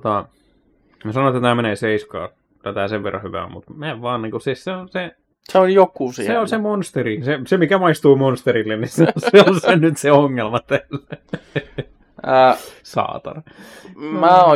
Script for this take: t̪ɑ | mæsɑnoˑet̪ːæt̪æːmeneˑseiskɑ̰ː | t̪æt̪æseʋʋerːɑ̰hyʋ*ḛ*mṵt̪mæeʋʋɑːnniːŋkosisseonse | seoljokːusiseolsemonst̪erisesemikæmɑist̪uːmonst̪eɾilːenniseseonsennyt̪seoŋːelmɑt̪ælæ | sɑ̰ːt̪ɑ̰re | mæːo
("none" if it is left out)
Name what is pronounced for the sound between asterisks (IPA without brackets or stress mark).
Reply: æ̰